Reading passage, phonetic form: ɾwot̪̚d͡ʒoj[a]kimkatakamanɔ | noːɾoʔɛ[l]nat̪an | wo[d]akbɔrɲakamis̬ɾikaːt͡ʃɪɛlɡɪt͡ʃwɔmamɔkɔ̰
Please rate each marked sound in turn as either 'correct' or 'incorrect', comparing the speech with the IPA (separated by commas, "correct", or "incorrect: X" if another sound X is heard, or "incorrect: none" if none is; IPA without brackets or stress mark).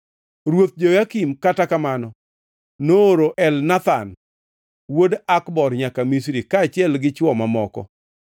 correct, correct, correct